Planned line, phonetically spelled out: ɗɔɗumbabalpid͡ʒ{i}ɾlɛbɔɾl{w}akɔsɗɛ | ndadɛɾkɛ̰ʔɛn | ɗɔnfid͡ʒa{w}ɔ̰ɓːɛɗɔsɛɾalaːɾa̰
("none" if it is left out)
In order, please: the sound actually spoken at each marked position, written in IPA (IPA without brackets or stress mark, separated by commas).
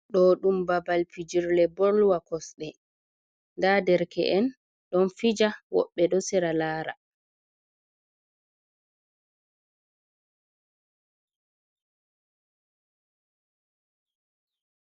i, w, w